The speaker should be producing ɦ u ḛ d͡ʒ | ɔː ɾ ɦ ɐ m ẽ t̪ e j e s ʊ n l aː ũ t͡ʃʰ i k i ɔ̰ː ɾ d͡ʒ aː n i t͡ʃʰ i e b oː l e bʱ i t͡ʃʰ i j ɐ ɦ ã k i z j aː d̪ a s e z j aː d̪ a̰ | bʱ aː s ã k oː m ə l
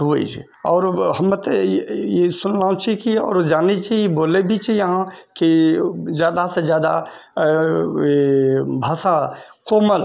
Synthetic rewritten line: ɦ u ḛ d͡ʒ | ɔː ɾ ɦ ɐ m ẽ t̪ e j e s ʊ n l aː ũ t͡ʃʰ i k i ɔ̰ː ɾ d͡ʒ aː n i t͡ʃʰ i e b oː l e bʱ i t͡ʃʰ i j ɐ ɦ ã k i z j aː d̪ a s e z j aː d̪ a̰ | bʱ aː s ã k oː m ə l